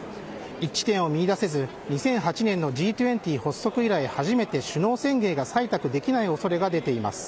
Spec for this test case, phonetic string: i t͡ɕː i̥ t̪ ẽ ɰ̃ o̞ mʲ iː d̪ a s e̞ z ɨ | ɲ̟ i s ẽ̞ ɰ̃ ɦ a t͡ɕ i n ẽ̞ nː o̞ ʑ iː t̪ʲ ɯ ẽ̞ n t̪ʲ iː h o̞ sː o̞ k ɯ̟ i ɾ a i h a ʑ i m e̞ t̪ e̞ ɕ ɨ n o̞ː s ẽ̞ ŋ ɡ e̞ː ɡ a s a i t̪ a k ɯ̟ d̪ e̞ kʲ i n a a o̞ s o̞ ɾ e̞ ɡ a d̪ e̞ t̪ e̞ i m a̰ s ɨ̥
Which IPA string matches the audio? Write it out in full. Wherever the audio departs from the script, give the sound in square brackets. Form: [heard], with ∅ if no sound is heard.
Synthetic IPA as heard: i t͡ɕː i̥ t̪ ẽ ɰ̃ o̞ mʲ iː d̪ a s e̞ z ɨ | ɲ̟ i s ẽ̞ ɰ̃ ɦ a t͡ɕ i n ẽ̞ nː o̞ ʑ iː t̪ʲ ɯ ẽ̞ n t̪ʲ iː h o̞ sː o̞ k ɯ̟ i ɾ a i h a ʑ i m e̞ t̪ e̞ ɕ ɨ n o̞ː s ẽ̞ ŋ ɡ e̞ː ɡ a s a i t̪ a k ɯ̟ d̪ e̞ kʲ i n a [i] o̞ s o̞ ɾ e̞ ɡ a d̪ e̞ t̪ e̞ i m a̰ s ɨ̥